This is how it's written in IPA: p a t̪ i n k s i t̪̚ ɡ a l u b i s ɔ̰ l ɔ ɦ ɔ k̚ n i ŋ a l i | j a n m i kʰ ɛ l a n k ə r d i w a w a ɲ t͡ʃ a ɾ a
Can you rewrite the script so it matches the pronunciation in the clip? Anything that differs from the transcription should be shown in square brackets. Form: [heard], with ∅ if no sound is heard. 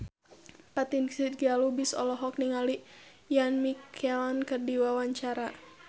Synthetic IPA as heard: p a t̪ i n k s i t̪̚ ɡ a l u b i s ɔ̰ l ɔ ɦ ɔ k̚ n i ŋ a l i | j a n m i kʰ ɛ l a n k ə r d i w a w a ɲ t͡ʃ a ɾ a